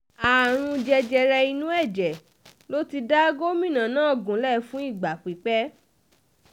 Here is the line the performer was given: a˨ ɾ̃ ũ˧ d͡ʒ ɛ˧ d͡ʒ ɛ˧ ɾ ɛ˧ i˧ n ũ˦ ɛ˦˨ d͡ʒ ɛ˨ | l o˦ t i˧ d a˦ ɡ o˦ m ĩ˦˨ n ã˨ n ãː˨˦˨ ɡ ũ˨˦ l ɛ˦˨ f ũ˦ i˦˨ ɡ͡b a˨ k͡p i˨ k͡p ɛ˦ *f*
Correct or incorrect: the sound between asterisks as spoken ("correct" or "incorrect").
incorrect